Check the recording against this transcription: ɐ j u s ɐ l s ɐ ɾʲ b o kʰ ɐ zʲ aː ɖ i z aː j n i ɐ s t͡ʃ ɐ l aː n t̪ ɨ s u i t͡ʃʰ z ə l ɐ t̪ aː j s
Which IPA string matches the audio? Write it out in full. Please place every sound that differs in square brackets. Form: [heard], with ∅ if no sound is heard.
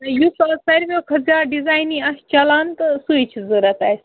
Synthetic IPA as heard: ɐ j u s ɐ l s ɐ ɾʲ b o kʰ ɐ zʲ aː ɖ i z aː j n i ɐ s t͡ʃ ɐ l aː n t̪ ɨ s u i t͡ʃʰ z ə [ɾ] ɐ t̪ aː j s